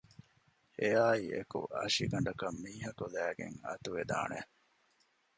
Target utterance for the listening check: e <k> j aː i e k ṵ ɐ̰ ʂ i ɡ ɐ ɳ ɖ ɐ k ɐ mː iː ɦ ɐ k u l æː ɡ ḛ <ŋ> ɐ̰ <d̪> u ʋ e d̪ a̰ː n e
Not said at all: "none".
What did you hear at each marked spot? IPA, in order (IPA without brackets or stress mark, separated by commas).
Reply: none, ŋ, t̪